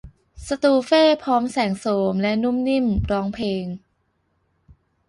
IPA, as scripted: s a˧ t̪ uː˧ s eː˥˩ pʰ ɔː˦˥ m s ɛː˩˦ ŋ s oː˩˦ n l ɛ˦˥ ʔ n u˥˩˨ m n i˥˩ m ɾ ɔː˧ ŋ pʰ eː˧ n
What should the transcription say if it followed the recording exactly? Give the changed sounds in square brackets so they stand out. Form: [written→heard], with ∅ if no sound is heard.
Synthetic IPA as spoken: s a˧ t̪ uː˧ [s→f] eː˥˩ pʰ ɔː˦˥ m s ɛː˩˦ ŋ s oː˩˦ [n→m] l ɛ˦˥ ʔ n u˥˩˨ m n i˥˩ m ɾ [ɔː˧→ɔː˦˥] ŋ pʰ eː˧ [n→ŋ]